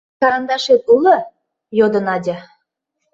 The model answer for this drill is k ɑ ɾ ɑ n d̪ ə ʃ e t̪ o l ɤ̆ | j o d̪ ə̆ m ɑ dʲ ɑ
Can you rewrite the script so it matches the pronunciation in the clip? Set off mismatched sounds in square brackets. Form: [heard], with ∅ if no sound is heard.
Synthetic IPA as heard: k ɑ ɾ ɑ n d̪ [ɑ] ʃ e t̪ [u] l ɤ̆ | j o d̪ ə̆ [n] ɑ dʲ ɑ